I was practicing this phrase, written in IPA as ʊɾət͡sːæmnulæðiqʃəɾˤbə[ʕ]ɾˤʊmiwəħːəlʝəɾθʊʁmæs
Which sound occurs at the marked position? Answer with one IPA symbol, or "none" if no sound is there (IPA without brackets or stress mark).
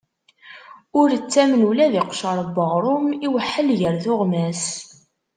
ʁ